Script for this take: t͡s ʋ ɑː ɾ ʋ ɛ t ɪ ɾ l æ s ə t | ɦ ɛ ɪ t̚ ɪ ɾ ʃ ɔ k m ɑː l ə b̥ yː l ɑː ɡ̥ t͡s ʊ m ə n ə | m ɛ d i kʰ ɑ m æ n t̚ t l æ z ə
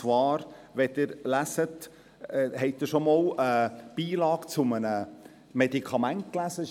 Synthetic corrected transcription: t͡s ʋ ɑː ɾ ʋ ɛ t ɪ ɾ l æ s ə t | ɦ ɛ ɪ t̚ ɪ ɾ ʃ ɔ m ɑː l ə b̥ iː l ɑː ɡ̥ t͡s ʊ m ə n ə | m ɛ d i kʰ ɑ m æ n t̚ k l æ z ə

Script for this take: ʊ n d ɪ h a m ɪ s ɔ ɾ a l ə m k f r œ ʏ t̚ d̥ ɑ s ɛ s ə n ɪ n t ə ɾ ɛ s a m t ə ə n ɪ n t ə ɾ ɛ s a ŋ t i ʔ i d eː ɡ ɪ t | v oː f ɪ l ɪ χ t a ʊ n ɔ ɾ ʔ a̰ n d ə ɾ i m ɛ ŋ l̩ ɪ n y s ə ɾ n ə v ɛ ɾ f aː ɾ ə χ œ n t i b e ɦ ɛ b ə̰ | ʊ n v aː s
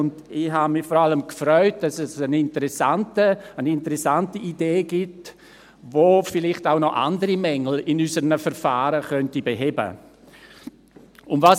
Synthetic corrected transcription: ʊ n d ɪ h a m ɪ f ɔ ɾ a l ə m k f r œ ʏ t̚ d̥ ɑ s ɛ s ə n ɪ n t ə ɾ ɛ s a n t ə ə n ɪ n t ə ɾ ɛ s a n t i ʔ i d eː ɡ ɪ t | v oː f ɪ l ɪ χ t a ʊ n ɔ ʔ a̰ n d ə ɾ i m ɛ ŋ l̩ ɪ n y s ə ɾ n ə f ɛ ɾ f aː ɾ ə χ œ n t i b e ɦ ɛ b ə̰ | ʊ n v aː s

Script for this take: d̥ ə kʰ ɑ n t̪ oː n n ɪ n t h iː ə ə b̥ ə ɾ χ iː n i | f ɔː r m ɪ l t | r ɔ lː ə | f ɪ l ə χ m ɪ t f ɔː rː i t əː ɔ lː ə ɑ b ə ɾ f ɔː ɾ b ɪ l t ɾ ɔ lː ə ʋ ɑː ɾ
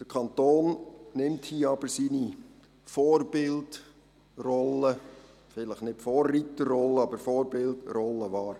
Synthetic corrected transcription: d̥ ə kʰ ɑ n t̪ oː n n ɪ m t h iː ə ɑ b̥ ə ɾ s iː n i | f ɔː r b ɪ l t | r ɔ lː ə | f ɪ l ə χ n ɪ t f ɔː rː i t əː ɔ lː ə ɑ b ə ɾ f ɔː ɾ b ɪ l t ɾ ɔ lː ə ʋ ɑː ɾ

